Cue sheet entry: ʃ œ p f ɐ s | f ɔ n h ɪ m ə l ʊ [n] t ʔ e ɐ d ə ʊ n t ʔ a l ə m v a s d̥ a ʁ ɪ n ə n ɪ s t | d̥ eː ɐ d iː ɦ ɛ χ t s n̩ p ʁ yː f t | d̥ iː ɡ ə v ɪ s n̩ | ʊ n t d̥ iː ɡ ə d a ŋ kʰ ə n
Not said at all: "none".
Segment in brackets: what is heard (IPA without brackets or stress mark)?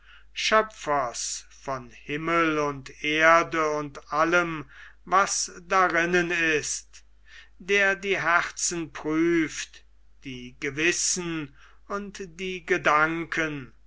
n